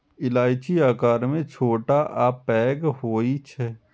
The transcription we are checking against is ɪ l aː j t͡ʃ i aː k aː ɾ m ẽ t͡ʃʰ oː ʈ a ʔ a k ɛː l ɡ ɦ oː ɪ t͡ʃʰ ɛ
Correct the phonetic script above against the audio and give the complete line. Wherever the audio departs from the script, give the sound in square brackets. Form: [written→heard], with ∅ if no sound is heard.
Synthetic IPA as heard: ɪ l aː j t͡ʃ i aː k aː ɾ m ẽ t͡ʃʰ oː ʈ a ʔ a [k→p] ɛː [l→∅] ɡ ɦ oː [ɪ→i] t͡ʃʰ ɛ